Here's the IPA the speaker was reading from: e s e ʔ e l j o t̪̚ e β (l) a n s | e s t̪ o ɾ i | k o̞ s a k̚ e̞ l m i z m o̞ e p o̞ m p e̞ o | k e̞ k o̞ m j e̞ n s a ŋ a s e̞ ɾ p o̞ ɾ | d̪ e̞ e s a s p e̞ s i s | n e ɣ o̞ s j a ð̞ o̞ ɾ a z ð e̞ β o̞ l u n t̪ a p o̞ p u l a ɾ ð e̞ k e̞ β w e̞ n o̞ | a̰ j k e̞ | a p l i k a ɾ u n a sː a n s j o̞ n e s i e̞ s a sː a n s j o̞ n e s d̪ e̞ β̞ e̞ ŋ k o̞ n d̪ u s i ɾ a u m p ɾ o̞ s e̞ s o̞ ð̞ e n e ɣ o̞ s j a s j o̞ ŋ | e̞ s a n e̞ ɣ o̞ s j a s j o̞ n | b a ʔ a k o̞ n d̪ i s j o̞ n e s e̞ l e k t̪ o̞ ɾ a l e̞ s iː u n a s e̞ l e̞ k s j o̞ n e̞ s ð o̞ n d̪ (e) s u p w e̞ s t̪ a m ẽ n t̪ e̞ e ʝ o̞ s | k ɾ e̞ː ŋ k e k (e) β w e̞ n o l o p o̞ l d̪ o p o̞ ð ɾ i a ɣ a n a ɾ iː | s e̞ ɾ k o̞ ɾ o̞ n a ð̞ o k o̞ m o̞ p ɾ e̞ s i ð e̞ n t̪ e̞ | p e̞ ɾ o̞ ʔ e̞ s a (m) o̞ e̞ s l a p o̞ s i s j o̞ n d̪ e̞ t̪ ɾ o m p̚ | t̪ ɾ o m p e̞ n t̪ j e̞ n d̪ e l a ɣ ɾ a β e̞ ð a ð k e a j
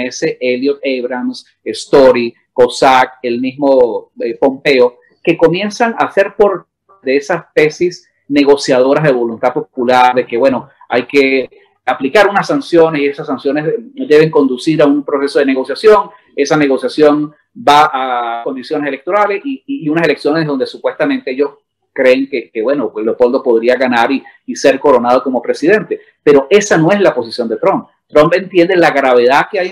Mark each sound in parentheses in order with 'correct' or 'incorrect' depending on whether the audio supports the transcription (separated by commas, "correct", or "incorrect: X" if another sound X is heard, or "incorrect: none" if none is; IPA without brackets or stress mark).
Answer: incorrect: ɾ, correct, correct, incorrect: n